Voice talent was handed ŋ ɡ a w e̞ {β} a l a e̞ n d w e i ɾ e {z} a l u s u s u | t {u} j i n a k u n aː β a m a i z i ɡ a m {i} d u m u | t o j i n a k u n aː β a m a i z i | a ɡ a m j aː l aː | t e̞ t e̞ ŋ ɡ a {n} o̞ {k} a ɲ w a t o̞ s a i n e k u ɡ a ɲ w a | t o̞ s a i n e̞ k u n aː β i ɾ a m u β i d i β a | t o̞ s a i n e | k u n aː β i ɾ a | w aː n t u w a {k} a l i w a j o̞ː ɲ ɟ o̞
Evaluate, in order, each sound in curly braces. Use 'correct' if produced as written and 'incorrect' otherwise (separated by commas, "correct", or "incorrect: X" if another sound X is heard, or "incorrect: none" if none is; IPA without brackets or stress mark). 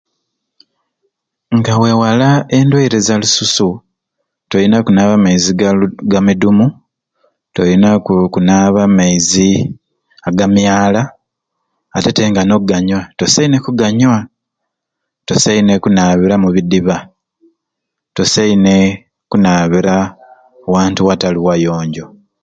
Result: incorrect: w, correct, incorrect: o, correct, correct, incorrect: ɡ, incorrect: t